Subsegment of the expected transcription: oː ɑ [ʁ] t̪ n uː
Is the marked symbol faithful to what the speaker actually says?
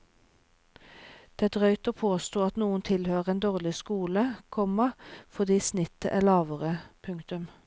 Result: no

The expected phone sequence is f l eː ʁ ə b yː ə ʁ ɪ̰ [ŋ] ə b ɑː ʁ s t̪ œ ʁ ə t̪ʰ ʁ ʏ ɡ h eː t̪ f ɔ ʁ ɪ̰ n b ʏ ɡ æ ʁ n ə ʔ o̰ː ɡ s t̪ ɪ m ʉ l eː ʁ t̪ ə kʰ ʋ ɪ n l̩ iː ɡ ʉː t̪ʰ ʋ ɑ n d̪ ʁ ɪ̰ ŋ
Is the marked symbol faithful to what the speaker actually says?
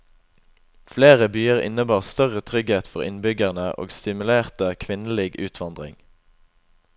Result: no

